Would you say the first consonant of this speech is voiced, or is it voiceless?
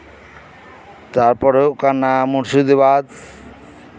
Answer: voiceless